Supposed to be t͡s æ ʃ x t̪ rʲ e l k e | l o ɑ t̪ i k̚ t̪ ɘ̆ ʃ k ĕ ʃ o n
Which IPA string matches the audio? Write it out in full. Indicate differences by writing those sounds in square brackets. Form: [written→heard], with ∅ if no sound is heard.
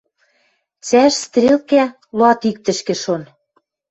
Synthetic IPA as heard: t͡s æ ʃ [x→s] t̪ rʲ e l k [e→æ] | l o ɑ t̪ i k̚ t̪ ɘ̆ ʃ k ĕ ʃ o n